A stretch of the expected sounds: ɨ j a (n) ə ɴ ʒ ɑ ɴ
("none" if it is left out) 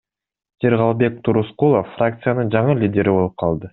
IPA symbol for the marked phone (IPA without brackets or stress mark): n